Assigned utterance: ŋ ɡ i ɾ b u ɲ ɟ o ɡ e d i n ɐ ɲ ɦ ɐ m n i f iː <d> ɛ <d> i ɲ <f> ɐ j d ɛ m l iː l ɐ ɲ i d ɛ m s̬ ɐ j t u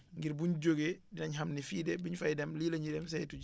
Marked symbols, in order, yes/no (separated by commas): yes, no, yes